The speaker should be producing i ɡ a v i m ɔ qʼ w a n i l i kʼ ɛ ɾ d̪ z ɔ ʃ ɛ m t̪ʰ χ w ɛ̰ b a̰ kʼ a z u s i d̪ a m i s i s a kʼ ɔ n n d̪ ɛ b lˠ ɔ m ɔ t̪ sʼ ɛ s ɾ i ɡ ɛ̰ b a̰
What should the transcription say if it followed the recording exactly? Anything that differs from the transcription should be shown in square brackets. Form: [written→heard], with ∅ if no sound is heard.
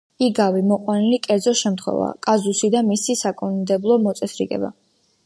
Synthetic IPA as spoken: i ɡ a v i m ɔ qʼ w a n i l i kʼ ɛ ɾ d̪ z ɔ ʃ ɛ m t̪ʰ χ w ɛ̰ [b→v] a̰ kʼ a z u s i d̪ a m i s i s a kʼ ɔ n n d̪ ɛ b lˠ ɔ m ɔ t̪ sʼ ɛ s ɾ i ɡ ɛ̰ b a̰